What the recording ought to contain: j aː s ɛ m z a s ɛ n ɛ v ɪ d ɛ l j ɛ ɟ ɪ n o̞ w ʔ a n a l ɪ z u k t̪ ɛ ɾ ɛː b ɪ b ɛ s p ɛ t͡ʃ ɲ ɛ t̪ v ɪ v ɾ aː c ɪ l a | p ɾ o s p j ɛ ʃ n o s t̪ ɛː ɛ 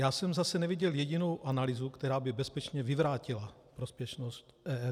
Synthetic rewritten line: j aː s ɛ m z a s ɛ n ɛ v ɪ ɟ ɛ l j ɛ ɟ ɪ n o̞ w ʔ a n a l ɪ z u k t̪ ɛ ɾ aː b ɪ b ɛ s p ɛ t͡ʃ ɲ ɛ v ɪ v ɾ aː c ɪ l a | p ɾ o s p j ɛ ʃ n o s t̪ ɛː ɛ